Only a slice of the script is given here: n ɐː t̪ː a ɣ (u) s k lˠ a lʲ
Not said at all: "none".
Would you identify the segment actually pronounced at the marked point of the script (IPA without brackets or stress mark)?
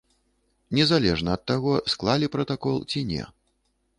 ɔ